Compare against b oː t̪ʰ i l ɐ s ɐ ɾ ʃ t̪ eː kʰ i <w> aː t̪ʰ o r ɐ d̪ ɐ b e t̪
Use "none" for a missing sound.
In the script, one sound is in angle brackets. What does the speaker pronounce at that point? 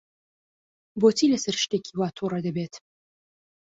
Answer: w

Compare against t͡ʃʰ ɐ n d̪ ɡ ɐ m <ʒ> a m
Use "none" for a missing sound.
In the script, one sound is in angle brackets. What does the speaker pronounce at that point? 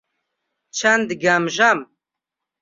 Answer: ʒ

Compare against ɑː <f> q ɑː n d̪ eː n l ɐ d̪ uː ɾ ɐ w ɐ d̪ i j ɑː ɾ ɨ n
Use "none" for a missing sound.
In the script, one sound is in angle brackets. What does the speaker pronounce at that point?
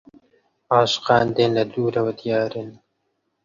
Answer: ʃ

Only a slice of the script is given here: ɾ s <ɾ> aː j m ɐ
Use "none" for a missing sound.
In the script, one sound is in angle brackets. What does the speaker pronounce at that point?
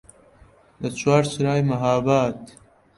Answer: ɾ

